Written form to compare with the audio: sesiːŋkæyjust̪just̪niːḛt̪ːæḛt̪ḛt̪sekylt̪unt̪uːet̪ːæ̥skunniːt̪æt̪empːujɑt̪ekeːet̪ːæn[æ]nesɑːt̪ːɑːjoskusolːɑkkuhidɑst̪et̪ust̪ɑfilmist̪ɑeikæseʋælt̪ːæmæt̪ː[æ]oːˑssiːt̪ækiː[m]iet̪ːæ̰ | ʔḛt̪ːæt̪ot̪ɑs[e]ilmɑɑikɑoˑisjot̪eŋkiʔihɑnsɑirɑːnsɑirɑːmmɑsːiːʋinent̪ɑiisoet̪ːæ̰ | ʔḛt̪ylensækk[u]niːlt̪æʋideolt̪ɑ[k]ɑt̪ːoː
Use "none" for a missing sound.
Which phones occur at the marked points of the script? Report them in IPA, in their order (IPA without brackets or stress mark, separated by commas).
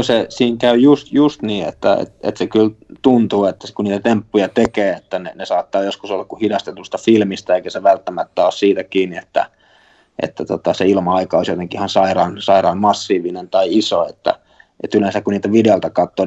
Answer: e, æ, n, e, u, k